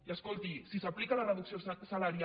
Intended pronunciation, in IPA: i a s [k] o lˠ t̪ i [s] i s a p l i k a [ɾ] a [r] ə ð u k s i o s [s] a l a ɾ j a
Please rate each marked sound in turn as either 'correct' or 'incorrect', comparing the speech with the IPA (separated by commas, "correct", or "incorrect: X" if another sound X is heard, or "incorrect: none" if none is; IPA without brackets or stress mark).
correct, correct, incorrect: l, correct, correct